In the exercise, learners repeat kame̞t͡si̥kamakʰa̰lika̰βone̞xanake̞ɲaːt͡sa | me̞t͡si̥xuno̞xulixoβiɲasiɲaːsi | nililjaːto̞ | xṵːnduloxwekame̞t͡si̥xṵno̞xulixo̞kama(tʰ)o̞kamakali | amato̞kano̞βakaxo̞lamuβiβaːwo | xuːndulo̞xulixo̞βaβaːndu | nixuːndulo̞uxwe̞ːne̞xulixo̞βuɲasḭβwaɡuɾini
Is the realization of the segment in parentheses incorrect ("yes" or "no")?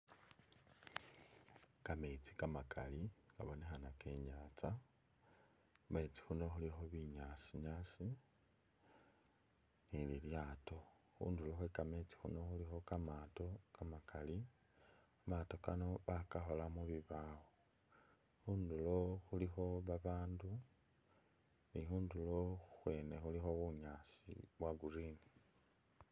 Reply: yes